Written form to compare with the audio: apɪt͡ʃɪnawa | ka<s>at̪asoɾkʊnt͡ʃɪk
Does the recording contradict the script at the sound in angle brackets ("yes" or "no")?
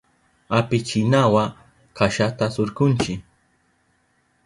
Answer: yes